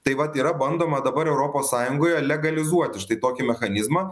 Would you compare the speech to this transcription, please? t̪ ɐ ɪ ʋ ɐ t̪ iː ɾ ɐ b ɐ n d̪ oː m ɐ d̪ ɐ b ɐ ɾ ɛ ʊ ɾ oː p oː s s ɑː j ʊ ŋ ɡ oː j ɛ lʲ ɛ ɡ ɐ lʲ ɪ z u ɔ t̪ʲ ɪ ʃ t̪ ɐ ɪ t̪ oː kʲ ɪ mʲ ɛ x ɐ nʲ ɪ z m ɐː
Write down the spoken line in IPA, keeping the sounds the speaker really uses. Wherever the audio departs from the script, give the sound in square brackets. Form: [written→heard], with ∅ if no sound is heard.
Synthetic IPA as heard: t̪ ɐ ɪ ʋ ɐ t̪ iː ɾ ɐ b ɐ n d̪ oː m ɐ d̪ ɐ b ɐ ɾ ɛ ʊ ɾ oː p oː s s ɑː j ʊ ŋ ɡ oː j ɛ lʲ ɛ ɡ ɐ lʲ ɪ z u ɔ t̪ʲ ɪ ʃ t̪ ɐ ɪ t̪ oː kʲ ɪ mʲ ɛ x ɐ nʲ ɪ z m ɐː